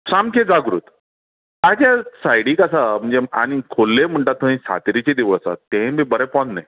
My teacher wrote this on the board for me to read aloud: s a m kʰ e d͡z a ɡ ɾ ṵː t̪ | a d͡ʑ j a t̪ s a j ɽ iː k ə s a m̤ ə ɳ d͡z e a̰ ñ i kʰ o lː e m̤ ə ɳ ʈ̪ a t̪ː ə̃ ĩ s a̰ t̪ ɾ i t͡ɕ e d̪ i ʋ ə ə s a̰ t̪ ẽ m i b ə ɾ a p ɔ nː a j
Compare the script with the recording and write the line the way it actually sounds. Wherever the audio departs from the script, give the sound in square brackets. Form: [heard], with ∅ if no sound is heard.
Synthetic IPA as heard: s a m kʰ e d͡z a ɡ ɾ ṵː t̪ | a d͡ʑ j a [∅] s a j ɽ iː k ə s a m̤ ə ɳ d͡z e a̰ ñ i kʰ o lː e m̤ ə ɳ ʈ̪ a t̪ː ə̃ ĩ s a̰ t̪ ɾ i t͡ɕ e d̪ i ʋ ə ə s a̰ t̪ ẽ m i b ə ɾ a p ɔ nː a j